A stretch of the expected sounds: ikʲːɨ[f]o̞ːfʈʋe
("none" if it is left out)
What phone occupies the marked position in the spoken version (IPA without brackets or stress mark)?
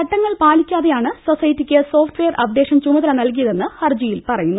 s